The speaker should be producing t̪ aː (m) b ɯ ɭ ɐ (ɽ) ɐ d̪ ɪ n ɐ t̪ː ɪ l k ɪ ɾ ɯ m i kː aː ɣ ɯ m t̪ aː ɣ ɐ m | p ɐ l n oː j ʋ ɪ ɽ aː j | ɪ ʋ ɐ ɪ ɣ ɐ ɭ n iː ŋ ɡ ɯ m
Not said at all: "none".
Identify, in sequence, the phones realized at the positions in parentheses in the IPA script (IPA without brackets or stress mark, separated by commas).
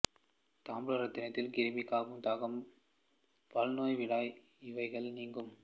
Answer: m, ɾ